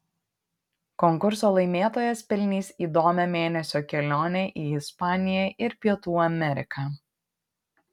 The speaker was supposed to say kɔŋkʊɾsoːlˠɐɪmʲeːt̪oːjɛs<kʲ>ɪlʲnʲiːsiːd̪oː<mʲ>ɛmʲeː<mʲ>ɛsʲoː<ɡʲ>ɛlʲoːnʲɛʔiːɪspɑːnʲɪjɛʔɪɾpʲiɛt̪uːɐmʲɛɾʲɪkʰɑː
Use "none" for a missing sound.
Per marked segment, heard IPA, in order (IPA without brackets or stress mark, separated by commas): pʲ, mʲ, nʲ, kʲ